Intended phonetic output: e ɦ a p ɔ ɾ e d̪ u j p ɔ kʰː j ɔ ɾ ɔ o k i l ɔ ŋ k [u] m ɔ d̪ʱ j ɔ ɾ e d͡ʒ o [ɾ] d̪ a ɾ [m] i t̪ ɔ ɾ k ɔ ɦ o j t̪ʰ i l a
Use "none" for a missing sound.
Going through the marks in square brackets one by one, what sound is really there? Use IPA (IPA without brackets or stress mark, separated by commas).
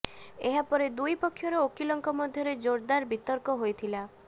ɔ, ɾ, b